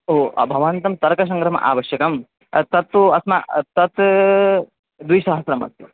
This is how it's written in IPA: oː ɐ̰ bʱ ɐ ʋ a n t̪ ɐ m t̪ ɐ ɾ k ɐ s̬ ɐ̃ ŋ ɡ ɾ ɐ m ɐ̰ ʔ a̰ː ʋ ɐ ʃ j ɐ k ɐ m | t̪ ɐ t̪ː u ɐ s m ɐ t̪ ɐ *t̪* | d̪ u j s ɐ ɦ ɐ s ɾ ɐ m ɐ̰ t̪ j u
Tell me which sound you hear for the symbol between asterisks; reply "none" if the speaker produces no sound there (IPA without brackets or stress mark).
t̪